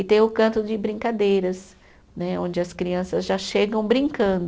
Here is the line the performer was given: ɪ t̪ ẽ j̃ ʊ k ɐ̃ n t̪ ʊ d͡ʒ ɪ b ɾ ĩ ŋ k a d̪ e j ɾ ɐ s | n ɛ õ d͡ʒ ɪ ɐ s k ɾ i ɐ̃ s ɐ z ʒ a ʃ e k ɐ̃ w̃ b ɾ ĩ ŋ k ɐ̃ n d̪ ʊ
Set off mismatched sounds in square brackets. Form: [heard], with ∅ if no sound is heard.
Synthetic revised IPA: ɪ t̪ ẽ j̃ ʊ k ɐ̃ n t̪ ʊ d͡ʒ ɪ b ɾ ĩ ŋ k a d̪ e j ɾ ɐ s | n ɛ õ d͡ʒ ɪ ɐ s k ɾ i ɐ̃ s ɐ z ʒ a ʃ e [ɡ] ɐ̃ w̃ b ɾ ĩ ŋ k ɐ̃ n d̪ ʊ